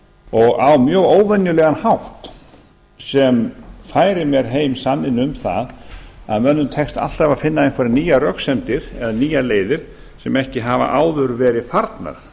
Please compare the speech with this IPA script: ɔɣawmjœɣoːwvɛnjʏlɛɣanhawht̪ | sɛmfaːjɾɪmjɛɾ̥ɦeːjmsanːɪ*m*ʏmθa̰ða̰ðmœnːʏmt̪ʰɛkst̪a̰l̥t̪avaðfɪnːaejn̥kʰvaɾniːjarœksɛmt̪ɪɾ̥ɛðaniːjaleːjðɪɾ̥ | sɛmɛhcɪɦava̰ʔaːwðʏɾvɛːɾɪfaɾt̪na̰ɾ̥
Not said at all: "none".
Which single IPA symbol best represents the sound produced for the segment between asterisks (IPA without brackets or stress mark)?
n